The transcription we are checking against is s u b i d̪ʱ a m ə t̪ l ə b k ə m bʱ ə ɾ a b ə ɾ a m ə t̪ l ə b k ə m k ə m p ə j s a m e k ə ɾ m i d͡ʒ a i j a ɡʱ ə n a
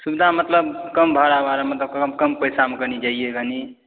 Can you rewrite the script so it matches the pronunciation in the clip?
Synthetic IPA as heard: s u b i d̪ʱ a m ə t̪ l ə b k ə m bʱ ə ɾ a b a ɾ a m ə t̪ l ə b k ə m k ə m p ə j s a m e k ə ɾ n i d͡ʒ a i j e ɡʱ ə n i